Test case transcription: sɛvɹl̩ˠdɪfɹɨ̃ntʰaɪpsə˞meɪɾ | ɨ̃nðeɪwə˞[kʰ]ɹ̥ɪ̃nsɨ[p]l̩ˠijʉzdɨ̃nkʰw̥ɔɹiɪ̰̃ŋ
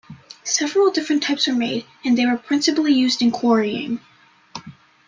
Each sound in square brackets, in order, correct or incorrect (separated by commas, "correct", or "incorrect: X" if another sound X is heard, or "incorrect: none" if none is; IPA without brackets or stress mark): incorrect: pʰ, correct